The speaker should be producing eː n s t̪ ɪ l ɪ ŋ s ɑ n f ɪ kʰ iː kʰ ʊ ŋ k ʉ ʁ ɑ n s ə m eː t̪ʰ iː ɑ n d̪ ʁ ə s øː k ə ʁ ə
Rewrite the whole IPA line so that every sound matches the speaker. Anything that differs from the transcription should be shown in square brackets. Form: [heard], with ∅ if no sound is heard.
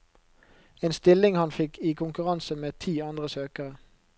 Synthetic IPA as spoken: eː n s t̪ ɪ l ɪ ŋ [h] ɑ n f ɪ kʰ iː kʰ ʊ ŋ k ʉ ʁ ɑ n s ə m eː t̪ʰ iː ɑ n d̪ ʁ ə s øː k ə ʁ ə